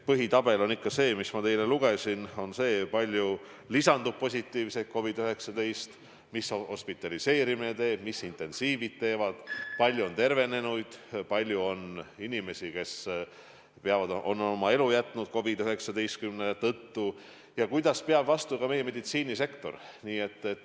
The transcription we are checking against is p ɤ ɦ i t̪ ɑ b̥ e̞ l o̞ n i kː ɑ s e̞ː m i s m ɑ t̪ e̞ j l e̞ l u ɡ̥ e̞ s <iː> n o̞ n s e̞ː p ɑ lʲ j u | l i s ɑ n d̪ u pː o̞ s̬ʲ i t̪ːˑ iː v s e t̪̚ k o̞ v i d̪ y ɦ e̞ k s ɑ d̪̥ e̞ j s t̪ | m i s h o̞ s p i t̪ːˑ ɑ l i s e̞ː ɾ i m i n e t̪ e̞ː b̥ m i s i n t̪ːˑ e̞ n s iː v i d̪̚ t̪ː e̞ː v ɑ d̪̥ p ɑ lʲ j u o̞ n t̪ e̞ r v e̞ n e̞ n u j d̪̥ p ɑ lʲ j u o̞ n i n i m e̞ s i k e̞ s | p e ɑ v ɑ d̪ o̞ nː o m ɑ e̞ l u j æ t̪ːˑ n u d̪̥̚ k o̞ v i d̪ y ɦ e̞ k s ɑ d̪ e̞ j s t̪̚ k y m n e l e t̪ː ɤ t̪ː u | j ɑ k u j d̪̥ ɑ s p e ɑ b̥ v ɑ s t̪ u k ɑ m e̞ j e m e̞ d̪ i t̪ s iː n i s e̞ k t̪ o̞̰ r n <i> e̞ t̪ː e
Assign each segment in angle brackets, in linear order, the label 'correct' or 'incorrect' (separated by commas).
incorrect, incorrect